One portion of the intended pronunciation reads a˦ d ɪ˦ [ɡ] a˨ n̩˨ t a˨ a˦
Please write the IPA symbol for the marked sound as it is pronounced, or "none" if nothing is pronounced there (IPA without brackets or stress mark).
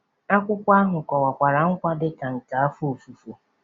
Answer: k